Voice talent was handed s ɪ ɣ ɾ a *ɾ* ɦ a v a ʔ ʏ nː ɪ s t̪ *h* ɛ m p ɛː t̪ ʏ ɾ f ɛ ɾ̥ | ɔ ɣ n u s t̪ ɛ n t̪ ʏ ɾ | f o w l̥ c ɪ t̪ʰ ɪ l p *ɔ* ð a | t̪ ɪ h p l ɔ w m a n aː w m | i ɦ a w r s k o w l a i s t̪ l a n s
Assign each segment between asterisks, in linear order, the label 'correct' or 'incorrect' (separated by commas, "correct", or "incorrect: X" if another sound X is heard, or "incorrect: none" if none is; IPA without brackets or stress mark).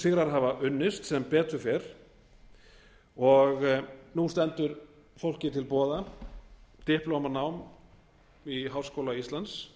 correct, incorrect: s, incorrect: ɔː